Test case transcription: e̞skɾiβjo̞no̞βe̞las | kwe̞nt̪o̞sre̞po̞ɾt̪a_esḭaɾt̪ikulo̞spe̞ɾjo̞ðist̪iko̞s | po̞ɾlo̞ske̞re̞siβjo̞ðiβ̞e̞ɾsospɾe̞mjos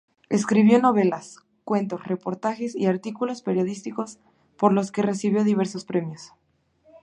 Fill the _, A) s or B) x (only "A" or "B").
B